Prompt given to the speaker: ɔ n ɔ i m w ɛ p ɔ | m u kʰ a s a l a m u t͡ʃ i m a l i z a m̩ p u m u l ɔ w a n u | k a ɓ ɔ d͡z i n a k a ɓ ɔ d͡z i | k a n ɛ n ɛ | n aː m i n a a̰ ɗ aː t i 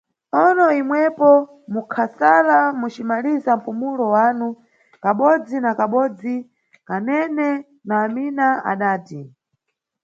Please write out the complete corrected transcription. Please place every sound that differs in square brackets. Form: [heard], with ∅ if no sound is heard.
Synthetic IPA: ɔ n ɔ i m w ɛ p ɔ | m u kʰ a s a l a m u t͡ʃ i m a l i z a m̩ p u m u l ɔ w a n u | k a ɓ ɔ d͡z i n a k a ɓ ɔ d͡z i | k a n ɛ n ɛ | n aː m i n a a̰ ɗ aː t i